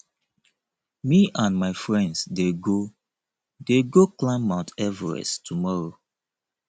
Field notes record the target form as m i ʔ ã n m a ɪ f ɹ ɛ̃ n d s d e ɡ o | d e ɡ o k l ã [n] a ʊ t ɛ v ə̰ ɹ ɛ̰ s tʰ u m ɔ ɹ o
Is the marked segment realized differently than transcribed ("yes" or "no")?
yes